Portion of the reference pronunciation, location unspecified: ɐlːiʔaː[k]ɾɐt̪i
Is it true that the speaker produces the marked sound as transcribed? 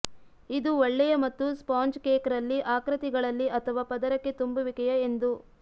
yes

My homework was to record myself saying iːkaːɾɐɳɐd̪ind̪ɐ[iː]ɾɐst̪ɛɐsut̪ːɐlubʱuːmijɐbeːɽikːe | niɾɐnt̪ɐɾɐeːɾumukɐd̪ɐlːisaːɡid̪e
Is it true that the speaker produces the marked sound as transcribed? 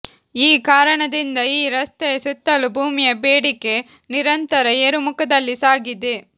yes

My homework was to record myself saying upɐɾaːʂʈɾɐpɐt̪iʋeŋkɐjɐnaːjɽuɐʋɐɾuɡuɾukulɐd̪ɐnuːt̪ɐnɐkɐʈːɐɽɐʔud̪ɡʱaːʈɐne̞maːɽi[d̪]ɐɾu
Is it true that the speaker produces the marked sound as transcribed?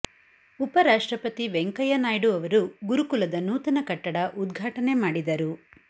yes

